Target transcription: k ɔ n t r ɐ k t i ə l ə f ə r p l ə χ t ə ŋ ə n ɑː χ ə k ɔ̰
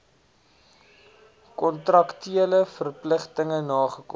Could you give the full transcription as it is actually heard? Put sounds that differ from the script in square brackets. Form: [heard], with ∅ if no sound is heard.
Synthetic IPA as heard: k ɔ n t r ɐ k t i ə l ə f ə r p l ə χ t ə ŋ ə n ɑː χ ə k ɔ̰